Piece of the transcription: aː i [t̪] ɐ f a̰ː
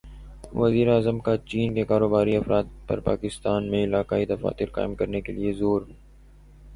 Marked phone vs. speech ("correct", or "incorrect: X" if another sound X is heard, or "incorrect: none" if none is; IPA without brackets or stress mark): incorrect: d̪